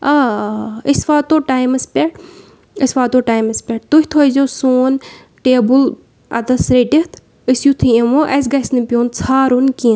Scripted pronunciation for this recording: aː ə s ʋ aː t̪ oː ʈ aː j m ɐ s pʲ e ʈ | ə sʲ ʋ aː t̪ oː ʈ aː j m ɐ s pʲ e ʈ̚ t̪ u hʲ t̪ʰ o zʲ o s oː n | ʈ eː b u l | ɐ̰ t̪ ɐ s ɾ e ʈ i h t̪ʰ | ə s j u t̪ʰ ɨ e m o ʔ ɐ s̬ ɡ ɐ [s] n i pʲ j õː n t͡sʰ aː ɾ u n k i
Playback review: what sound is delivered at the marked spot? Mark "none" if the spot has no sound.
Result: s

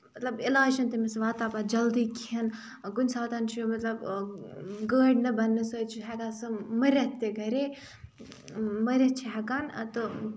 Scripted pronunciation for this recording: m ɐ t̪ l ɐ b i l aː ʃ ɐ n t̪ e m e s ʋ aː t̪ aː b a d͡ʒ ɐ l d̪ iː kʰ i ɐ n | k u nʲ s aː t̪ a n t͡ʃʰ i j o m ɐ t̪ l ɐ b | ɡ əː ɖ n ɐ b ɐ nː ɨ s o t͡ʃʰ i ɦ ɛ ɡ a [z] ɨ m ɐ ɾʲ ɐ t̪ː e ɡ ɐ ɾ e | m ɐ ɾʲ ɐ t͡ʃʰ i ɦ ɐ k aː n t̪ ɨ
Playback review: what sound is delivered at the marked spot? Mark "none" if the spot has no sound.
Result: s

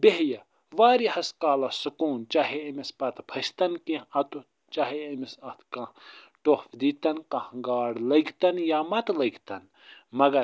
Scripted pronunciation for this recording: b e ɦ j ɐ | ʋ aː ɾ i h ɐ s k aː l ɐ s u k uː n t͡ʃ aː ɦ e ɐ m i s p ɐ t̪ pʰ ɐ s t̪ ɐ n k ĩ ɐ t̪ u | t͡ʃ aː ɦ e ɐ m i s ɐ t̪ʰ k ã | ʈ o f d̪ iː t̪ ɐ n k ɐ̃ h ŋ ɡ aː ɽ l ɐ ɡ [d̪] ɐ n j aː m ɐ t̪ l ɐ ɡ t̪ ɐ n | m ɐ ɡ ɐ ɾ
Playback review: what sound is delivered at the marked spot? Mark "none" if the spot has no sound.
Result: t̪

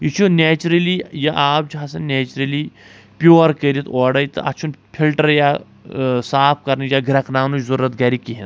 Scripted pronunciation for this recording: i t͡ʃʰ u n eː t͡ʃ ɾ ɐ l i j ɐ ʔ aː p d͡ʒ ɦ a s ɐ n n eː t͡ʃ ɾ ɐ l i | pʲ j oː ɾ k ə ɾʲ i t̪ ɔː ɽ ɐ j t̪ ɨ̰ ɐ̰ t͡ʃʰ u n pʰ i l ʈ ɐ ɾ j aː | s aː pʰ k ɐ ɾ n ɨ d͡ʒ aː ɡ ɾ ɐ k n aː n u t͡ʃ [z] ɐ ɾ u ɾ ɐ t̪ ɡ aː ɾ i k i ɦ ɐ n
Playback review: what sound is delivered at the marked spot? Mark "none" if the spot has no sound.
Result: z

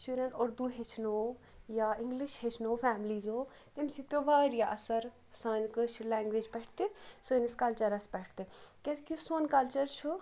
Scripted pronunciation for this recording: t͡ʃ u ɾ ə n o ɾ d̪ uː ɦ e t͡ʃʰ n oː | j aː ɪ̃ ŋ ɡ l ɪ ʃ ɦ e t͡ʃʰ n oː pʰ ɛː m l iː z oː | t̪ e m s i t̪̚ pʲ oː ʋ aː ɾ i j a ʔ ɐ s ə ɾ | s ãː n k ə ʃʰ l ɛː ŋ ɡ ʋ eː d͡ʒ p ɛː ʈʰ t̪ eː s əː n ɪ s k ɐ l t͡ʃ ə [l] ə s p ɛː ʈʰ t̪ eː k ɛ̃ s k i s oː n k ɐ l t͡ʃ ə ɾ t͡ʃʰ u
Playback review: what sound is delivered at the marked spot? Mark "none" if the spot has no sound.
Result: ɾ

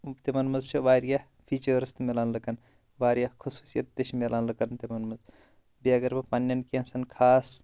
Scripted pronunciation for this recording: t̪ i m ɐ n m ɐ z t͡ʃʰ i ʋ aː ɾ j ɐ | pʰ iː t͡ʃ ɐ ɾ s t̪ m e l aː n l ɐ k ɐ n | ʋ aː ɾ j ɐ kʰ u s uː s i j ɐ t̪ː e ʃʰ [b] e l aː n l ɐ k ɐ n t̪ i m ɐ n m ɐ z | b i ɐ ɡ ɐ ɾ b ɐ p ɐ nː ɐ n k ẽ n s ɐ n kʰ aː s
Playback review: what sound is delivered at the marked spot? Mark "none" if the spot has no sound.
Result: m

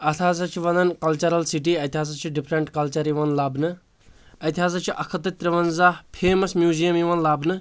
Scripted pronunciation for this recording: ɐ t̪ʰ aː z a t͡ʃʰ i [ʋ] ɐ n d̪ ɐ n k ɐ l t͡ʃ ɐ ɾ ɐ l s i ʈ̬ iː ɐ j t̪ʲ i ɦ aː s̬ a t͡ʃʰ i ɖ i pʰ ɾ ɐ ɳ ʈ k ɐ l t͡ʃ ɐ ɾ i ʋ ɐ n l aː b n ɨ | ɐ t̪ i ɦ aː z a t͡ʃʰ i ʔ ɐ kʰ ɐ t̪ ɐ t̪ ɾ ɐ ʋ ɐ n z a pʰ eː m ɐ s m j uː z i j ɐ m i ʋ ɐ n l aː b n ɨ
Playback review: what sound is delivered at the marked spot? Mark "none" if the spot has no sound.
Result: ʋ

